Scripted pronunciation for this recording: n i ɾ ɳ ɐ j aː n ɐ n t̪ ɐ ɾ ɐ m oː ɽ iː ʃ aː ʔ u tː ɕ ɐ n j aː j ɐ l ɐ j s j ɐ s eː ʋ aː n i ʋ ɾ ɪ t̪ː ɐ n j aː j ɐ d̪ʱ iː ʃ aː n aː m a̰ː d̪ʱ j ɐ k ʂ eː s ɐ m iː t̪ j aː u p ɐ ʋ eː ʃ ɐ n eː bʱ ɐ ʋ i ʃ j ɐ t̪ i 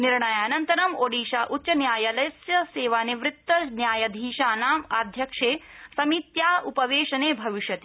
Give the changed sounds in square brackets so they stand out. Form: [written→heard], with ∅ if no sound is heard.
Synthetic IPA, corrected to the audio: n i ɾ ɳ ɐ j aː n ɐ n t̪ ɐ ɾ ɐ m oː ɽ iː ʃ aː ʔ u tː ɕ ɐ n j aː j ɐ l ɐ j s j ɐ s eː ʋ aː n i ʋ ɾ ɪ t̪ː ɐ n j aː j ɐ d̪ʱ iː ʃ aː n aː m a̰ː d̪ʱ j ɐ k ʂ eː s ɐ m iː t̪ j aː u p ɐ ʋ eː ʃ ɐ n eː bʱ ɐ ʋ i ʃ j ɐ t̪ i